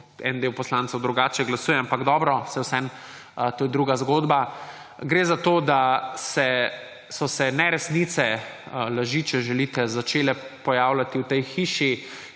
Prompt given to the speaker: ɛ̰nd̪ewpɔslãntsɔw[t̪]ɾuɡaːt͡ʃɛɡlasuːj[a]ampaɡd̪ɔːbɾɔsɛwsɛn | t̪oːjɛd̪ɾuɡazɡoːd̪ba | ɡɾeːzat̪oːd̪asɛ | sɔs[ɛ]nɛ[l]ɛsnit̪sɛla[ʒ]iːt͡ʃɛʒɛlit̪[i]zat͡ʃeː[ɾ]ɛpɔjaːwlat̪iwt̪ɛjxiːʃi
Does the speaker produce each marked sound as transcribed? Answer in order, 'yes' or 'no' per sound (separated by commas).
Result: no, no, yes, no, yes, no, no